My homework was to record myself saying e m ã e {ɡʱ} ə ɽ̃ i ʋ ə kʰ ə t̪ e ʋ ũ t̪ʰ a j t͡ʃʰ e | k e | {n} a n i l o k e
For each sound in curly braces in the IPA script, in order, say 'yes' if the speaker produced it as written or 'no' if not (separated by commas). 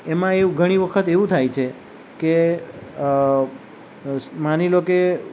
yes, no